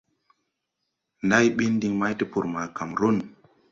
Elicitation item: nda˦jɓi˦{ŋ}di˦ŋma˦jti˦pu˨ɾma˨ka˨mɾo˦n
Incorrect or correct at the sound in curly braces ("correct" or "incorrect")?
incorrect